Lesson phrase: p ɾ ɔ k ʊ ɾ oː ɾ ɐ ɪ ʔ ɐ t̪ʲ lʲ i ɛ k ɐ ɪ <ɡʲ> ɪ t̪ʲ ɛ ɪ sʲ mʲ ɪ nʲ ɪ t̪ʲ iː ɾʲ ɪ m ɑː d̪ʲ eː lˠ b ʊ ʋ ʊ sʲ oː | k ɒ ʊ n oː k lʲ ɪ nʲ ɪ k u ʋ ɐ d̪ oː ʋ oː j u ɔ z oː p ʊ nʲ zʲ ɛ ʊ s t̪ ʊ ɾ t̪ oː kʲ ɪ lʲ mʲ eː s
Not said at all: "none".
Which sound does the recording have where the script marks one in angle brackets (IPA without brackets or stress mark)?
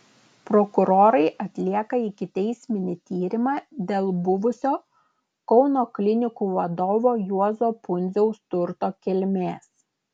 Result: kʲ